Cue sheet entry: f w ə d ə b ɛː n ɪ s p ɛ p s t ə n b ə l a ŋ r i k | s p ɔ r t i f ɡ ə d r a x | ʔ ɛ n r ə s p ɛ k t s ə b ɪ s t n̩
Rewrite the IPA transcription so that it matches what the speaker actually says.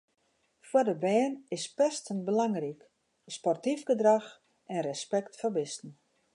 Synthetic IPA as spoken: f w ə d ə b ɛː n ɪ s p ɛ s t ə n b ə l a ŋ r i k | s p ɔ r t i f ɡ ə d r a x | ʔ ɛ n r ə s p ɛ k t f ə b ɪ s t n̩